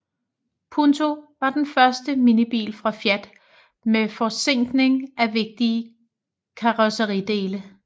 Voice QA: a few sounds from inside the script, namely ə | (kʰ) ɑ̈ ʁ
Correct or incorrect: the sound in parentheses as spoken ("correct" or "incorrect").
correct